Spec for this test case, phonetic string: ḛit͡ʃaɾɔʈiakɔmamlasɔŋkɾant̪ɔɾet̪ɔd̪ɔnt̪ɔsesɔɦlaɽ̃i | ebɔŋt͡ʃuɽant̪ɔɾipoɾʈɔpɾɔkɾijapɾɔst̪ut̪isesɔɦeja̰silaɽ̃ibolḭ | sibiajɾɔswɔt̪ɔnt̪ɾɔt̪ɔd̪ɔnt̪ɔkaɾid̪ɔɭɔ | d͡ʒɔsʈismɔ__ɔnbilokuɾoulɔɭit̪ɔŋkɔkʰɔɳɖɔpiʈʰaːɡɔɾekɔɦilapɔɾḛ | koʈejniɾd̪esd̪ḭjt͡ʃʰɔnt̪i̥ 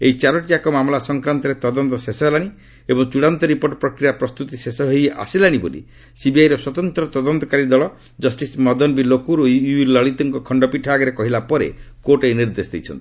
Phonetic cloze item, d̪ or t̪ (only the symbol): d̪